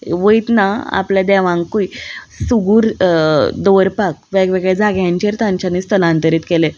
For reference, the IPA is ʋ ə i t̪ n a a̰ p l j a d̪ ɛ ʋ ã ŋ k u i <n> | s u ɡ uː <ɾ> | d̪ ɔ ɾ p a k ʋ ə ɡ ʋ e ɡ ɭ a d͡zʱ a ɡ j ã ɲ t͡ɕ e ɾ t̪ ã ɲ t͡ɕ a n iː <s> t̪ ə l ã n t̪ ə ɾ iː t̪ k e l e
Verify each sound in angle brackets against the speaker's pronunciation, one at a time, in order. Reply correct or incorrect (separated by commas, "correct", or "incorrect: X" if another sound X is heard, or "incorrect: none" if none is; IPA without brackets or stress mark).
incorrect: none, correct, correct